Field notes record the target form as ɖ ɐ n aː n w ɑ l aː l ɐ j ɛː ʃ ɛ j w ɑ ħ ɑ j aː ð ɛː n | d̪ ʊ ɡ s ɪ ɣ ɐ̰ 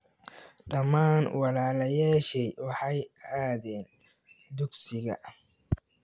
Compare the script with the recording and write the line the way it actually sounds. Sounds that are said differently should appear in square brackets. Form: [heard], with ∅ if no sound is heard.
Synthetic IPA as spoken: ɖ ɐ [m] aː n w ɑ l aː l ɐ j [aː] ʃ ɛ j w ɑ ħ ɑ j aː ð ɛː n | d̪ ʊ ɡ s ɪ ɣ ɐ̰